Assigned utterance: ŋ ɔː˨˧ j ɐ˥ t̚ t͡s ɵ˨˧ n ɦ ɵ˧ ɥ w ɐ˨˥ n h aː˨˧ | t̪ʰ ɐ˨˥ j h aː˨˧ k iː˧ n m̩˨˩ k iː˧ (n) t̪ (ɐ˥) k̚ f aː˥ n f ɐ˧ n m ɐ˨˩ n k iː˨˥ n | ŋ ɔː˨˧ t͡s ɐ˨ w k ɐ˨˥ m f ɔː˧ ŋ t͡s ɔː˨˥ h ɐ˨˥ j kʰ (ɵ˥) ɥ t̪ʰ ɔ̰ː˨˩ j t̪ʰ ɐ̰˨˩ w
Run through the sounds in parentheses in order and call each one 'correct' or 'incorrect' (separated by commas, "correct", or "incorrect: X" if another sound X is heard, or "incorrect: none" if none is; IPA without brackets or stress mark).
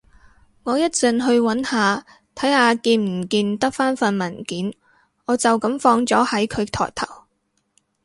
correct, correct, incorrect: ɵ˨˧